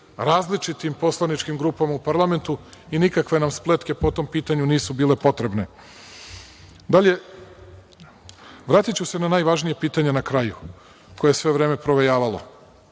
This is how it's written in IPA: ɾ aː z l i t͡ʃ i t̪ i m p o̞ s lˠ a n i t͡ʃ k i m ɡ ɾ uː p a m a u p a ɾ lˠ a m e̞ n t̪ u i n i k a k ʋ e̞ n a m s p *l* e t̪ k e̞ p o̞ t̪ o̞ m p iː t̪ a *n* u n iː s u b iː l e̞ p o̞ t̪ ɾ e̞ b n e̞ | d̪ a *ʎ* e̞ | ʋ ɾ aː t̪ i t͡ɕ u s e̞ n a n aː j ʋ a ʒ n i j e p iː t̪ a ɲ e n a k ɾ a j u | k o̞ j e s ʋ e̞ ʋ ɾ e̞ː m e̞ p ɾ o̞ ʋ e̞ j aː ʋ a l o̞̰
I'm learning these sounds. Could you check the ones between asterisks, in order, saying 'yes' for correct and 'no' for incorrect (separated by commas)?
yes, no, yes